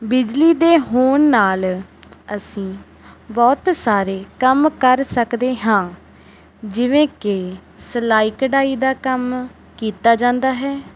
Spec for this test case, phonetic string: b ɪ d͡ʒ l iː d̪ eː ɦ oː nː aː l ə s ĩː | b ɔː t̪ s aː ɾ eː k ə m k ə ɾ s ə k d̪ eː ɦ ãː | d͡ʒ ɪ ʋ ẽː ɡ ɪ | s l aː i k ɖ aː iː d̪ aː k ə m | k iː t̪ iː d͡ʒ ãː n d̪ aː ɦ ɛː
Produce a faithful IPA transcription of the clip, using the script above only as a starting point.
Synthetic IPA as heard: b ɪ d͡ʒ l iː d̪ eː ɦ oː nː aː l ə s ĩː | b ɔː t̪ s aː ɾ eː k ə m k ə ɾ s ə k d̪ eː ɦ ãː | d͡ʒ ɪ ʋ ẽː k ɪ | s l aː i k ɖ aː iː d̪ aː k ə m | k iː t̪ aː d͡ʒ ãː n d̪ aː ɦ ɛː